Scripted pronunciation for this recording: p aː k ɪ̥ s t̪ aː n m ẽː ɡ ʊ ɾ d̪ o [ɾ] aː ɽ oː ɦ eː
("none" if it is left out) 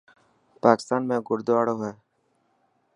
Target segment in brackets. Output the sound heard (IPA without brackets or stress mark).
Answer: none